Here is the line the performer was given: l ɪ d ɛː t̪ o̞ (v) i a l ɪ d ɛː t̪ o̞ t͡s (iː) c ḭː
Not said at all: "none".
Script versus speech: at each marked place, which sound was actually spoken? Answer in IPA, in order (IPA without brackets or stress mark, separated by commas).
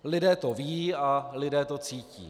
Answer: v, iː